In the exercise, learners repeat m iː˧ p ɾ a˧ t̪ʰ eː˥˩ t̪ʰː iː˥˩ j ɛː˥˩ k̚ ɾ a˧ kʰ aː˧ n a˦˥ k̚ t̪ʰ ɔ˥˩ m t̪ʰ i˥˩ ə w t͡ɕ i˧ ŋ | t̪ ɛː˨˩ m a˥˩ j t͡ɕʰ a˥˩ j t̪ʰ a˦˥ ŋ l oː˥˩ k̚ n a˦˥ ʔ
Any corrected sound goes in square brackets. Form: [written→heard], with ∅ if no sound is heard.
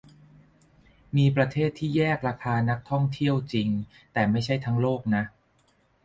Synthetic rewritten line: m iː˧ p ɾ a˧ t̪ʰ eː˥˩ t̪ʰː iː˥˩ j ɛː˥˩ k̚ ɾ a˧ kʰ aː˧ n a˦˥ k̚ t̪ʰ ɔ˥˩ [m→ŋ] t̪ʰ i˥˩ ə w t͡ɕ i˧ ŋ | t̪ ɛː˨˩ m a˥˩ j t͡ɕʰ a˥˩ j t̪ʰ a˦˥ ŋ l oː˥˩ k̚ n a˦˥ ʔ